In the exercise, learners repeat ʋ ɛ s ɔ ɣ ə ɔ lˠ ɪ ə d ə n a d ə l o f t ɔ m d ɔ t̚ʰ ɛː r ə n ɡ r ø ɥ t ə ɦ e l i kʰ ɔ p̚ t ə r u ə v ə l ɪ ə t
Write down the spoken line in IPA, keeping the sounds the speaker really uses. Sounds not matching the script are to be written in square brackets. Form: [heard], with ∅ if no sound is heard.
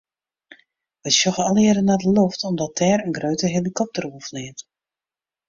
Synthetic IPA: ʋ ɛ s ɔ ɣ ə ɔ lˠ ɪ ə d ə n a d ə l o f t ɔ m d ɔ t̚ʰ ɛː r ə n ɡ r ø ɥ t ə ɦ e l i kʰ ɔ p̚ t ə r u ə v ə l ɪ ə t